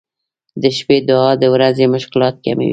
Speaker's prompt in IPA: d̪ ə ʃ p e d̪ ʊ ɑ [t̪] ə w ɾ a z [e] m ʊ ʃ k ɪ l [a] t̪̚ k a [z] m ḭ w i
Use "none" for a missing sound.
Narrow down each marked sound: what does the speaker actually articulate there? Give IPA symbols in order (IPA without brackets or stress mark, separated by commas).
d̪, e, ɑ, none